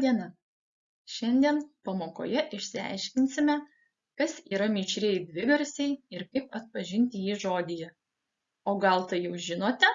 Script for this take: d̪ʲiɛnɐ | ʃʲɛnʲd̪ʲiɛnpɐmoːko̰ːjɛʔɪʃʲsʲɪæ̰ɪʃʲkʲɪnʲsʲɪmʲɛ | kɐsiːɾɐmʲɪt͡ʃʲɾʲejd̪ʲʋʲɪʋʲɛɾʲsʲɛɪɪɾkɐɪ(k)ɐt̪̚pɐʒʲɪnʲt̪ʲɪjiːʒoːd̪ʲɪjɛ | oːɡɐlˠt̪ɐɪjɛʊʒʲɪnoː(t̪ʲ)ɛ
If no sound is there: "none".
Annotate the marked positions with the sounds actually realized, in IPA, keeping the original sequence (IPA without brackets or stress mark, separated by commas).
p, t̪ʲ